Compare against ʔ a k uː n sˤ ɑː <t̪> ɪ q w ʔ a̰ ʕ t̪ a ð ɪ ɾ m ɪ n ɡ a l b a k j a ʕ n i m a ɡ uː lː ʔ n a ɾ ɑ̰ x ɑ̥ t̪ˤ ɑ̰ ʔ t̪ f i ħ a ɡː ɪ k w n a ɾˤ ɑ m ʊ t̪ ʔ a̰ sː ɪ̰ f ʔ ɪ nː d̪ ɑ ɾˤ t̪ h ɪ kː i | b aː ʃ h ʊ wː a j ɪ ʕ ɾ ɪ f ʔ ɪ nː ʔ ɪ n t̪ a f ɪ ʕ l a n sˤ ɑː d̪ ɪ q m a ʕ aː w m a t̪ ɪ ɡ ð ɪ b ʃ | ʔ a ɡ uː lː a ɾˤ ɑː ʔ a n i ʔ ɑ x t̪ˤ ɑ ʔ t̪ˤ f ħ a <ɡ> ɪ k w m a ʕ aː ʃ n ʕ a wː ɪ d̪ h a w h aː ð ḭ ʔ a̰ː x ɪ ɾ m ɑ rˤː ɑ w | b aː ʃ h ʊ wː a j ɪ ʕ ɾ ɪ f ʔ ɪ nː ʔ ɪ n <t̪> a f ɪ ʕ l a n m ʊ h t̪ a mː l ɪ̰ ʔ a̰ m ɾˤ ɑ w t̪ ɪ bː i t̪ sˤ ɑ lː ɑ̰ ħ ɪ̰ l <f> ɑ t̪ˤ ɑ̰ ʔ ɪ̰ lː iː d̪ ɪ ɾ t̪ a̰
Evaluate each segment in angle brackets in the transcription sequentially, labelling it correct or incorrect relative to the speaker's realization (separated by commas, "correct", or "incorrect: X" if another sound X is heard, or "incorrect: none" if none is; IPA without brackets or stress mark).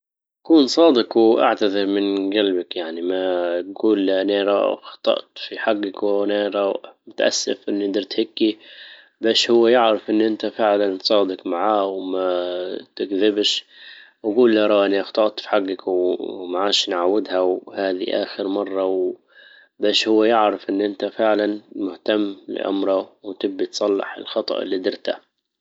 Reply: incorrect: d̪, incorrect: ɡː, correct, incorrect: x